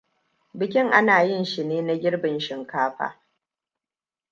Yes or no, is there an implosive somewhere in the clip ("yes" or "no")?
no